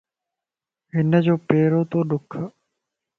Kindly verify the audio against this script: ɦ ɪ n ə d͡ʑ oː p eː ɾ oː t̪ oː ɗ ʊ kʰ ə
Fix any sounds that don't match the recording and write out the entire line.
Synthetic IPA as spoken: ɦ ɪ n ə d͡ʑ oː p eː ɾ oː t̪ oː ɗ ʊ kʰ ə